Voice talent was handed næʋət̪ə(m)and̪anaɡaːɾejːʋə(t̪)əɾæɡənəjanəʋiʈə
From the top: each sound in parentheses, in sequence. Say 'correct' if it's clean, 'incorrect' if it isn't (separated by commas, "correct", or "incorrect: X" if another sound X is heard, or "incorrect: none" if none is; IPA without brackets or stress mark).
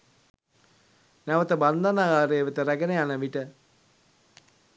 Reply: incorrect: b, correct